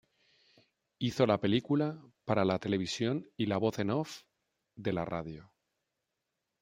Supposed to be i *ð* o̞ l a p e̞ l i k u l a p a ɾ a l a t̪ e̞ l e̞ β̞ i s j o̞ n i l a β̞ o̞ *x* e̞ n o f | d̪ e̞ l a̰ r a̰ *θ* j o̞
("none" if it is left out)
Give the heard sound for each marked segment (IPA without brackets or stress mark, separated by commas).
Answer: θ, θ, ð